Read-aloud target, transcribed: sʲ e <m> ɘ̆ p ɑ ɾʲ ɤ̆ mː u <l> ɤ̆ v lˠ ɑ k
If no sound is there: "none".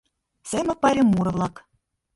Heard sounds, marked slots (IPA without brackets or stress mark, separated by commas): m, ɾ